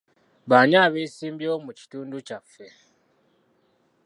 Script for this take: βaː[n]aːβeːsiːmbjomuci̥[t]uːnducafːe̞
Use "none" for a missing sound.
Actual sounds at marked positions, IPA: ɲ, t

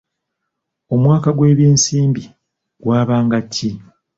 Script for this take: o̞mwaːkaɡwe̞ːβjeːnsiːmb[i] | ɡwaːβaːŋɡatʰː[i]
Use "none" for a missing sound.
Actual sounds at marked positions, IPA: i, i

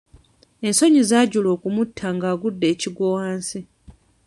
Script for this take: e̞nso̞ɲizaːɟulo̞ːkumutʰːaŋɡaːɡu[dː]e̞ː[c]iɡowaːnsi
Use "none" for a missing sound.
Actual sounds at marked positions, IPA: dː, c

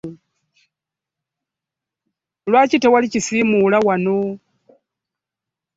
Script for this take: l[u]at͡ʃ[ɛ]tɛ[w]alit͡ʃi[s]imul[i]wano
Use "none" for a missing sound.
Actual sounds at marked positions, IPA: w, i, w, s, a

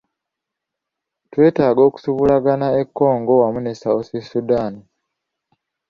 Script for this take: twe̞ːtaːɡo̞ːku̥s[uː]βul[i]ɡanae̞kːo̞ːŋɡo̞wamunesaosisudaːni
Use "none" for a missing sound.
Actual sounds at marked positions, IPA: u, a

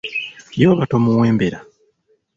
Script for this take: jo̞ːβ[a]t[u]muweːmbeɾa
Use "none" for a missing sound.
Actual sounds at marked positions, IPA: a, o

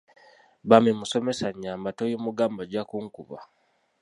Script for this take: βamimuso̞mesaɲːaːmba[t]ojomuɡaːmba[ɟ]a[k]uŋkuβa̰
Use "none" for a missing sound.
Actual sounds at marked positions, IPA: t, ɟ, k

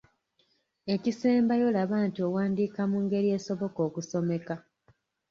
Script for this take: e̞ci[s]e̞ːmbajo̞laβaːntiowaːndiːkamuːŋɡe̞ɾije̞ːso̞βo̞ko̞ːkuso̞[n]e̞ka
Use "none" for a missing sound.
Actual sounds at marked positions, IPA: s, m

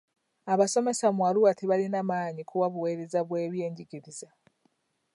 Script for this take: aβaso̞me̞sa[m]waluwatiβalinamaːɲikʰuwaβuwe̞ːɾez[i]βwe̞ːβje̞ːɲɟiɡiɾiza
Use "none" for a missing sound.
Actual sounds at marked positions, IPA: m, a

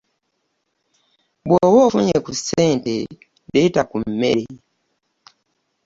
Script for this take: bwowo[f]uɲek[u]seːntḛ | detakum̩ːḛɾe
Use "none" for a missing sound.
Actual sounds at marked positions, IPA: f, u

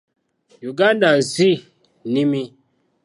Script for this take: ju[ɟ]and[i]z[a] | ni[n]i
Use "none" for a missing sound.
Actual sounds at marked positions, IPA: ɡ, a, i, m

